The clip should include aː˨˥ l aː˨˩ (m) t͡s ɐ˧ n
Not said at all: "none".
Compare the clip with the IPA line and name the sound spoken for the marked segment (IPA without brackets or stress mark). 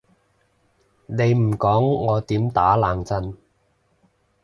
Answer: ŋ